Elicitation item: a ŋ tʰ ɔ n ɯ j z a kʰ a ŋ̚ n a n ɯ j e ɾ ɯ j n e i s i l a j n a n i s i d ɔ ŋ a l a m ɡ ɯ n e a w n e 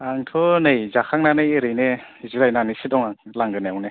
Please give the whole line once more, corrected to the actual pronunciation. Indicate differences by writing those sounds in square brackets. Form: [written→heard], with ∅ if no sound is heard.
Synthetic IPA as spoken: a ŋ tʰ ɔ n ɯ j z a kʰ a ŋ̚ n a n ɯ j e ɾ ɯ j n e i [s→z] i [l→ɾ] a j n a n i s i d ɔ ŋ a l a [m→ŋ] ɡ ɯ n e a w n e